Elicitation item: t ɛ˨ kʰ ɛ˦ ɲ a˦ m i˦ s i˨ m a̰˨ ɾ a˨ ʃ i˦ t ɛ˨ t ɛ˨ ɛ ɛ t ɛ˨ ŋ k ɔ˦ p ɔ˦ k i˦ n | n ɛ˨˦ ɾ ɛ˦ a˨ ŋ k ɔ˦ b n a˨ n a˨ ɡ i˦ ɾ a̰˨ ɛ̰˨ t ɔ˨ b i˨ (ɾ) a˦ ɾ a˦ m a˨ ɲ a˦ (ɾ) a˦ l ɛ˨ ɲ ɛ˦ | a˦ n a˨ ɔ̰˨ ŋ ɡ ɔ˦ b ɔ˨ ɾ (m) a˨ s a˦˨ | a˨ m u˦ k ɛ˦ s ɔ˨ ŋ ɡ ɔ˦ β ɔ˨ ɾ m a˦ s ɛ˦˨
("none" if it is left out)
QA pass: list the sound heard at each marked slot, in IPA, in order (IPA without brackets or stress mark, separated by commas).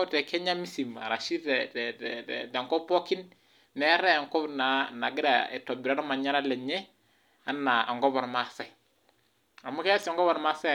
ɾ, ɾ, m